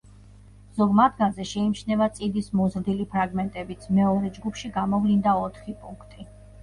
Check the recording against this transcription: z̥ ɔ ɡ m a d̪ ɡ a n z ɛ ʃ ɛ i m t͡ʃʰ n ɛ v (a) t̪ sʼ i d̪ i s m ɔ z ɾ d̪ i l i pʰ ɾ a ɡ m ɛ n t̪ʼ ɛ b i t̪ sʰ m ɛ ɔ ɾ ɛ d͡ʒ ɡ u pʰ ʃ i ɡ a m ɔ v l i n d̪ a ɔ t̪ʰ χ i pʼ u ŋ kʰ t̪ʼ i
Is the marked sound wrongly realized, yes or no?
no